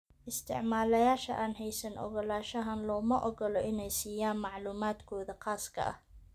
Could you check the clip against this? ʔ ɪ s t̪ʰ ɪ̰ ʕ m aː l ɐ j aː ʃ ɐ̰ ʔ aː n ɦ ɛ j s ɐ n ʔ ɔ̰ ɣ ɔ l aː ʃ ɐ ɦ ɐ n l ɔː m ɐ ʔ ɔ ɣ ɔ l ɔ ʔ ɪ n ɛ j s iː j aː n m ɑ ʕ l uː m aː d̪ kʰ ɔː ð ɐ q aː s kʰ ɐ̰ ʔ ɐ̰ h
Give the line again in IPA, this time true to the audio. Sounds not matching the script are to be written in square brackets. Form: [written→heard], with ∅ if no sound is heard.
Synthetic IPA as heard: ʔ ɪ s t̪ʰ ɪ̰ ʕ m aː l ɐ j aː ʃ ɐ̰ ʔ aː n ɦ ɛ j s ɐ n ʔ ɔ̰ ɣ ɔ l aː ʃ ɐ ɦ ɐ n l ɔː m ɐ ʔ ɔ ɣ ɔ l ɔ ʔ ɪ n ɛ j s iː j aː n m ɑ ʕ l uː m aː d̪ kʰ ɔː ð ɐ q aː s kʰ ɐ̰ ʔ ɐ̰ h